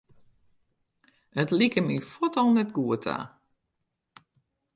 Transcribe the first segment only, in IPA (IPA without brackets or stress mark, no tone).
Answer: ə